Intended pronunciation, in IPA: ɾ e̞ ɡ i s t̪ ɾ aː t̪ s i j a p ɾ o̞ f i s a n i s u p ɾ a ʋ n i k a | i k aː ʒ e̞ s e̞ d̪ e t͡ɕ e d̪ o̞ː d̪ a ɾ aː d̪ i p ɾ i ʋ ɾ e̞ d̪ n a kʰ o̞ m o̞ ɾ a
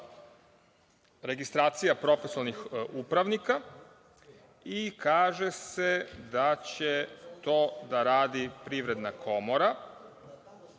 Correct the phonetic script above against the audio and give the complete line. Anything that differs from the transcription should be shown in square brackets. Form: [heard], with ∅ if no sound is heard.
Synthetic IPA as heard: ɾ e̞ ɡ i s t̪ ɾ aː t̪ s i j a p ɾ o̞ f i s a n i [x] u p ɾ a ʋ n i k a | i k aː ʒ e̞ s e̞ d̪ [a] t͡ɕ e [t̪] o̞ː d̪ a ɾ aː d̪ i p ɾ i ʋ ɾ e̞ d̪ n a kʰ o̞ m o̞ ɾ a